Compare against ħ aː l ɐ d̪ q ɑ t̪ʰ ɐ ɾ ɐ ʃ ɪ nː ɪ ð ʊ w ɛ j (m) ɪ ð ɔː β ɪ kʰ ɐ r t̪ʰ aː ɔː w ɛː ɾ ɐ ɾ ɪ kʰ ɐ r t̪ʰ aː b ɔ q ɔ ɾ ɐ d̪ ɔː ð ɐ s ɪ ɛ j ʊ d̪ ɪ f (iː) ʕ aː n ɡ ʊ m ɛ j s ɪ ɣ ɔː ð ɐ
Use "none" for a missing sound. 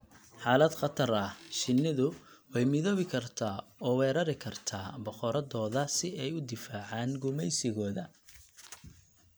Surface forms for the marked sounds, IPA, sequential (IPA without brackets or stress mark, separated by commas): m, aː